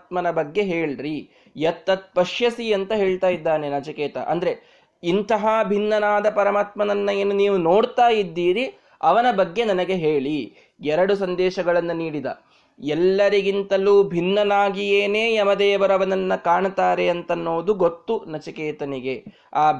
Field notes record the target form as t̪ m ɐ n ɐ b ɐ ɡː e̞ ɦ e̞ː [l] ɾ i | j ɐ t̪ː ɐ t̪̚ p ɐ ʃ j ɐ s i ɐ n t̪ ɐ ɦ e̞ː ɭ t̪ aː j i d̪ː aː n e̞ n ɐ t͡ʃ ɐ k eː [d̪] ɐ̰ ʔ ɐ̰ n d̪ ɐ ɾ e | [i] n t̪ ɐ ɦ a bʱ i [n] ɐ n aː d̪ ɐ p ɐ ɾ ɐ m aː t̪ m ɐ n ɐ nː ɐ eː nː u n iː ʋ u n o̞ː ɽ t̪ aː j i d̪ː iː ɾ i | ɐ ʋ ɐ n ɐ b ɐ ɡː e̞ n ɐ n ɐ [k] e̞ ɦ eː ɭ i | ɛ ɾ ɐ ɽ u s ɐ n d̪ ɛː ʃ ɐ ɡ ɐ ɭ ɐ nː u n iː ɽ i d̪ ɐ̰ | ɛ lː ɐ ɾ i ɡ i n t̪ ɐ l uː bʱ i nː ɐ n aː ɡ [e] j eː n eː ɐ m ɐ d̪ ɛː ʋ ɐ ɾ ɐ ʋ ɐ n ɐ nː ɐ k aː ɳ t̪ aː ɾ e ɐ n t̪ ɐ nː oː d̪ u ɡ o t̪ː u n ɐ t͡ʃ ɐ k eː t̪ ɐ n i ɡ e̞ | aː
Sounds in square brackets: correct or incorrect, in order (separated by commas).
incorrect, incorrect, correct, incorrect, incorrect, incorrect